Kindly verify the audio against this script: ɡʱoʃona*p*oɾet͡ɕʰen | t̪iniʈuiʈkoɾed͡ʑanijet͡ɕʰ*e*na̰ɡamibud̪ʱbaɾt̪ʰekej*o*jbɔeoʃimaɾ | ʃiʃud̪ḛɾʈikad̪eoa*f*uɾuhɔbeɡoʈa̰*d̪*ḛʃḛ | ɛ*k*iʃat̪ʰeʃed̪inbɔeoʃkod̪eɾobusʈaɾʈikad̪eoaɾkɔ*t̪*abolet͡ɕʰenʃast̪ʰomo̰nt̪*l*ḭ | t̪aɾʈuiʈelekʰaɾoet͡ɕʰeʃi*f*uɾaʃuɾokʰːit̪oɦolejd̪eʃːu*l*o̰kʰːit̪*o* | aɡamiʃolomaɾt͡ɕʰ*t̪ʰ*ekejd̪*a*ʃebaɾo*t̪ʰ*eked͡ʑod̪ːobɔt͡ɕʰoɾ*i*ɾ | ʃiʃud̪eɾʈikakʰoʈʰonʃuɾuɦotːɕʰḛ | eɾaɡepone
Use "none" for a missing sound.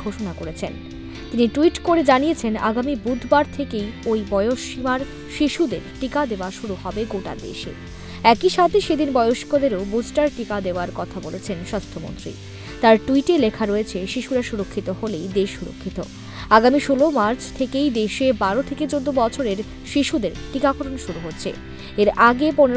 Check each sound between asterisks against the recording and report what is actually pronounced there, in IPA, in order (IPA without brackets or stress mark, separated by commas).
k, e, o, ʃ, d̪, k, t̪ʰ, ɾ, ʃ, ɾ, o, t̪ʰ, e, t̪ʰ, e